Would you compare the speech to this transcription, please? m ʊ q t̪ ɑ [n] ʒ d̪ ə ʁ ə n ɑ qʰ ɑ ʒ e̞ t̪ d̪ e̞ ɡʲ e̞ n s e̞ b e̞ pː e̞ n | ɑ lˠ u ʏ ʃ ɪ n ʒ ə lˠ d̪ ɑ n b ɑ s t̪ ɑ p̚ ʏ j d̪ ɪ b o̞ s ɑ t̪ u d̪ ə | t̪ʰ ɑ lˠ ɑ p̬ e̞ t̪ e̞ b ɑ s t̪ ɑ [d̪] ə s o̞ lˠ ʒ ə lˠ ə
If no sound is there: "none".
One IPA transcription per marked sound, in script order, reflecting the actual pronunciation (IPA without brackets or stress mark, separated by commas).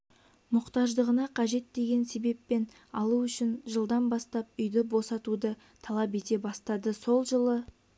none, d̪